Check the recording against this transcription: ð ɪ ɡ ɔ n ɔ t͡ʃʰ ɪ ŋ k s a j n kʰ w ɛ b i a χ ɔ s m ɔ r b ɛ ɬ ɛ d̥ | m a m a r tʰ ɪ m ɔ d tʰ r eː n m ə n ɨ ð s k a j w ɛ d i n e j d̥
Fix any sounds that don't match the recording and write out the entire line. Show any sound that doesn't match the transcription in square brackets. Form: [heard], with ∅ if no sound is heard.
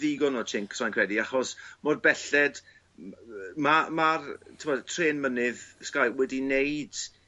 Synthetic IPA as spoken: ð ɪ ɡ ɔ n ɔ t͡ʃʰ ɪ ŋ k s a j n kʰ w ɛ [d] i a χ ɔ s m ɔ r b ɛ ɬ ɛ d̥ | m a m a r tʰ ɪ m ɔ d tʰ r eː n m ə n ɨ ð s k a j w ɛ d i n e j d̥